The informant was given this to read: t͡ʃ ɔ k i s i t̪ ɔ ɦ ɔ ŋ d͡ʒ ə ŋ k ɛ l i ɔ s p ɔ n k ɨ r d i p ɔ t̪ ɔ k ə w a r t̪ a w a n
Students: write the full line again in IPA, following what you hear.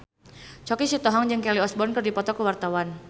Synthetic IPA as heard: t͡ʃ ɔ k i s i t̪ ɔ ɦ ɔ ŋ d͡ʒ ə ŋ k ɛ l i ɔ s b ɔ n k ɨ r d i p ɔ t̪ ɔ k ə w a r t̪ a w a n